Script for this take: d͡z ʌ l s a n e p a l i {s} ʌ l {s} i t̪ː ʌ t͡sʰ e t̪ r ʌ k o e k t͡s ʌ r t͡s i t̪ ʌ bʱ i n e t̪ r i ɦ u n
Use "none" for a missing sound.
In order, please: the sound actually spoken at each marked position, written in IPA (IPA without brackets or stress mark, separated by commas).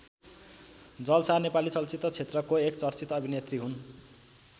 t͡s, t͡s